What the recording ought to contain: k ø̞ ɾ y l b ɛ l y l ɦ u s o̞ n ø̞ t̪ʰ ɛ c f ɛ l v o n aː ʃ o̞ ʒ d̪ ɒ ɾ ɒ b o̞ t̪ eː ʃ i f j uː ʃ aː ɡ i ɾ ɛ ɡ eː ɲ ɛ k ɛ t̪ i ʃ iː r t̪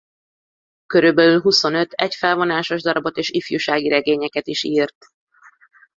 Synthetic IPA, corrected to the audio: k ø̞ ɾ y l b ɛ l y l ɦ u s o̞ n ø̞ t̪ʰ ɛ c f ɛ l v o n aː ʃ o̞ ʒ d̪ ɒ ɾ ɒ b o̞ t̪ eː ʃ i f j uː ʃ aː ɡ i ɾ ɛ ɡ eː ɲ ɛ k ɛ t̪ i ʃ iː r t̪